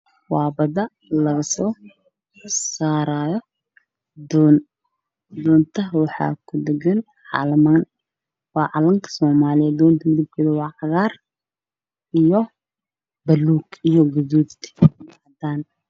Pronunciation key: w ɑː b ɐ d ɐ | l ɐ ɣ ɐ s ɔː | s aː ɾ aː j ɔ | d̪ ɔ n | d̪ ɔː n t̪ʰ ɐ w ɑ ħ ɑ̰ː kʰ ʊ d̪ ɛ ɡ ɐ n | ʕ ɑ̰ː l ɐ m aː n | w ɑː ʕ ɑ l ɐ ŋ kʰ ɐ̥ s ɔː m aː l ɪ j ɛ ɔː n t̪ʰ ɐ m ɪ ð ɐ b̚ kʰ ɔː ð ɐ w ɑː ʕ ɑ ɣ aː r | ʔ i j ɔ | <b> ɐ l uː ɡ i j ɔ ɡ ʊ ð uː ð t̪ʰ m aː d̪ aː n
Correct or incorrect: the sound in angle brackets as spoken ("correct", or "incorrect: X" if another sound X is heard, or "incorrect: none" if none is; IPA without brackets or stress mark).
correct